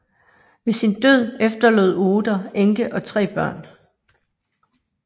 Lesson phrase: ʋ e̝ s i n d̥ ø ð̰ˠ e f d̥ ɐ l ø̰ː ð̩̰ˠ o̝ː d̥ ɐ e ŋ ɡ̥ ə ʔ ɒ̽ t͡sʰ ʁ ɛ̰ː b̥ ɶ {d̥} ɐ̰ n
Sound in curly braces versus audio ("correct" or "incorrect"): incorrect